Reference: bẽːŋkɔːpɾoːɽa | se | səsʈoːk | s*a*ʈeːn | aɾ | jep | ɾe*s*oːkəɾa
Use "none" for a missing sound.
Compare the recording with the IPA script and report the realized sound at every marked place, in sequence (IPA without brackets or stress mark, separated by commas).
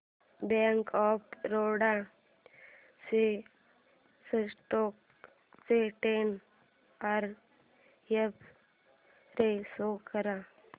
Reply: e, s